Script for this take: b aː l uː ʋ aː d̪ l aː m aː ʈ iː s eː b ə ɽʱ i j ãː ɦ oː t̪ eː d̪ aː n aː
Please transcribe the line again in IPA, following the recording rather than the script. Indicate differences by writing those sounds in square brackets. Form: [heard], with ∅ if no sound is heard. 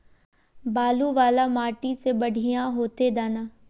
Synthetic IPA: b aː l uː ʋ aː [∅] l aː m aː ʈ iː s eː b ə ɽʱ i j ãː ɦ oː t̪ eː d̪ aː n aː